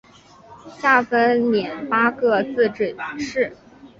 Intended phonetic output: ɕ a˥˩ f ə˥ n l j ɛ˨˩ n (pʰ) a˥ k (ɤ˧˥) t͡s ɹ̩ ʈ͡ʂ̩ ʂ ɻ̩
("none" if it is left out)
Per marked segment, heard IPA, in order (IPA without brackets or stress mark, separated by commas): p, ɤ˥˧